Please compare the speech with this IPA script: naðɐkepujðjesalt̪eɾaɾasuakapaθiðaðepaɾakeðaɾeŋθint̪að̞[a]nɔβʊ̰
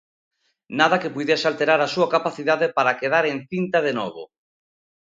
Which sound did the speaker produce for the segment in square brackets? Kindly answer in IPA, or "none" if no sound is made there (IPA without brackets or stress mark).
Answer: e